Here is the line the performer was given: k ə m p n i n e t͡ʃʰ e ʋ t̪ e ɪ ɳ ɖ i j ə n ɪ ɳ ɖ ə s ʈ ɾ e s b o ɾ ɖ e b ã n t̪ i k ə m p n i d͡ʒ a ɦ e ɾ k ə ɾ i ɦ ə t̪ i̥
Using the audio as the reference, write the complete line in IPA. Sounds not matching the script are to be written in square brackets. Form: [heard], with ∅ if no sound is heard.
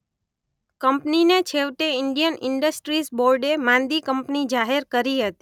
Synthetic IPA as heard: k ə m p n i n e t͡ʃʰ e ʋ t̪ e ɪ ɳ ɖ i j ə n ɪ ɳ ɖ ə s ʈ ɾ [i] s b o ɾ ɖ e [m] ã n [d̪] i k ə m p n i d͡ʒ a ɦ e ɾ k ə ɾ i ɦ ə t̪ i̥